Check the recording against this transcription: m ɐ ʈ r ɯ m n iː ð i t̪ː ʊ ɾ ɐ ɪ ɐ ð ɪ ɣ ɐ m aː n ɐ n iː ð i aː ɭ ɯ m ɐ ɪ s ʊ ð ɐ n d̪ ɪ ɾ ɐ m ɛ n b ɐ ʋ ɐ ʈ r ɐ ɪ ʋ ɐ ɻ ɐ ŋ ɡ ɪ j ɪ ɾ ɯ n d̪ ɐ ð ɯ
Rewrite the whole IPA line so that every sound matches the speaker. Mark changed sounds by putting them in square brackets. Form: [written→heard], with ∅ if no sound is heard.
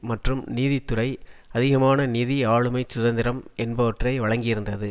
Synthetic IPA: m ɐ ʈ r ɯ m n iː ð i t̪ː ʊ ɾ ɐ ɪ ɐ ð ɪ ɣ ɐ m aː n ɐ n iː ð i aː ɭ ɯ m ɐ ɪ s ʊ ð ɐ n d̪ ɪ ɾ ɐ m ɛ n b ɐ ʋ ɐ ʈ r ɐ ɪ ʋ ɐ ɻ ɐ ŋ ɡ ɪ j ɪ ɾ ɯ n d̪ ɐ ð ɯ

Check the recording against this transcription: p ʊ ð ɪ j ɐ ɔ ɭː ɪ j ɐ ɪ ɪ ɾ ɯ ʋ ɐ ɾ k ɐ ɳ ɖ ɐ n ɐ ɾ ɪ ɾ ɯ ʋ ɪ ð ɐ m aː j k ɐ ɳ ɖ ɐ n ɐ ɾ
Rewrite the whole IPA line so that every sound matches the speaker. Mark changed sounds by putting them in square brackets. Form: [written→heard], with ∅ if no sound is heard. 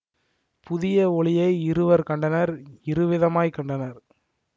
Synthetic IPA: p ʊ ð ɪ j ɐ ɔ [ɭː→ɭ] ɪ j ɐ ɪ ɪ ɾ ɯ ʋ ɐ ɾ k ɐ ɳ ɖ ɐ n ɐ ɾ ɪ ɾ ɯ ʋ ɪ ð ɐ m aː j k ɐ ɳ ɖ ɐ n ɐ ɾ

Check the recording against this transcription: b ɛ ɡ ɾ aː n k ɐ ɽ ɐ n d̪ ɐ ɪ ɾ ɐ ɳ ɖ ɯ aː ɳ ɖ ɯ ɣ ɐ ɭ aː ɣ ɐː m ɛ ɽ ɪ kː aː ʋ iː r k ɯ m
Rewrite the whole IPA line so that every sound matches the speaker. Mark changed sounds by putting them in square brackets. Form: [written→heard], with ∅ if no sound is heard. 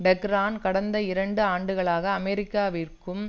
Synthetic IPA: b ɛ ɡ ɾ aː n k ɐ ɽ ɐ n d̪ ɐ ɪ ɾ ɐ ɳ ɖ ɯ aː ɳ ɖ ɯ ɣ ɐ ɭ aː ɣ ɐː m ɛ [ɽ→ɾ] ɪ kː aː ʋ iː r k ɯ m

